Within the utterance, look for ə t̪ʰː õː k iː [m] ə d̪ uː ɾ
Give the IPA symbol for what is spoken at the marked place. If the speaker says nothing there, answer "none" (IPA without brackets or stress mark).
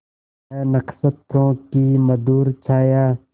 m